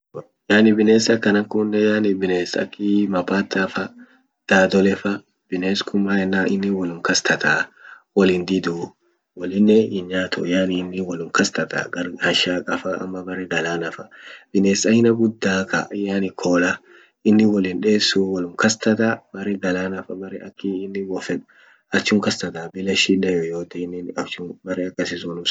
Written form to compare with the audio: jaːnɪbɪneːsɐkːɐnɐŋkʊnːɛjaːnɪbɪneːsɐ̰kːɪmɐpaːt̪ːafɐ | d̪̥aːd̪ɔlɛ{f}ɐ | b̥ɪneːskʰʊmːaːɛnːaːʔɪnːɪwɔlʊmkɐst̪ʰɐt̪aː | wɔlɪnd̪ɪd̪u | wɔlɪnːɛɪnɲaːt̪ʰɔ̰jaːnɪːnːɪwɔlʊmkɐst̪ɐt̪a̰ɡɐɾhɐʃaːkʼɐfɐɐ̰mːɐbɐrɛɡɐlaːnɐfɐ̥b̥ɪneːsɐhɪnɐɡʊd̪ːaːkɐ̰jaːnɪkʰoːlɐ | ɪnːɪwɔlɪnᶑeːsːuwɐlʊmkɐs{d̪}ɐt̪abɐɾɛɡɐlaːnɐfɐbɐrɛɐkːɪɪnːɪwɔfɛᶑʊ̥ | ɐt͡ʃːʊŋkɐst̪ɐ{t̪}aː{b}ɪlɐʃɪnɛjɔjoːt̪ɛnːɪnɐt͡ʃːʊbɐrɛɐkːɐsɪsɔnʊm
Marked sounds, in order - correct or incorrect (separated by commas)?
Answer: correct, incorrect, correct, correct